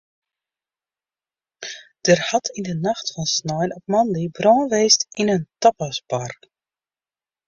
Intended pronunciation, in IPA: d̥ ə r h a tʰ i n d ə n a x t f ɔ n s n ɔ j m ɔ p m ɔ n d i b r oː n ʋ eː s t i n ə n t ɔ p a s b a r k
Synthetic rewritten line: d̥ ə r h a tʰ i n d ə n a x t f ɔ n s n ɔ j n ɔ p m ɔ n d i b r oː n ʋ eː s t i n ə n t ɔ p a s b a r k